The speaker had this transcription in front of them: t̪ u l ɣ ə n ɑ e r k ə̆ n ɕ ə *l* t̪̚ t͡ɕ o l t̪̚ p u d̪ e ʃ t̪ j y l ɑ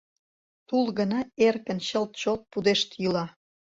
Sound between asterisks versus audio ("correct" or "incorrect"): correct